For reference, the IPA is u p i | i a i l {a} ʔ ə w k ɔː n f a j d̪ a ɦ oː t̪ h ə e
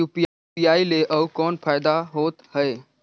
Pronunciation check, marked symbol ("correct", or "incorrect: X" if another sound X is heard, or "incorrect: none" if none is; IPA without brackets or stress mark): incorrect: e